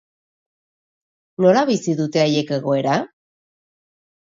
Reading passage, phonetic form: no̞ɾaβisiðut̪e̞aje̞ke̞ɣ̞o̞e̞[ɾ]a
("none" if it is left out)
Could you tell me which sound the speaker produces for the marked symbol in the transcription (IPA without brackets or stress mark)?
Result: ɾ